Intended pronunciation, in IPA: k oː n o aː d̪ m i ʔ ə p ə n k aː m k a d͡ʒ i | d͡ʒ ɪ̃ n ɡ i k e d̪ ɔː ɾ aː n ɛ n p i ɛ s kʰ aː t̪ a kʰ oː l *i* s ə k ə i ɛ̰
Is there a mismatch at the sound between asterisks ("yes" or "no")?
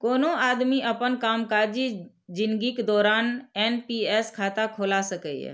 yes